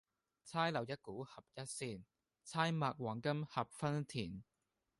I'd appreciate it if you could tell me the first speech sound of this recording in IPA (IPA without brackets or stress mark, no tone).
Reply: t͡sʰ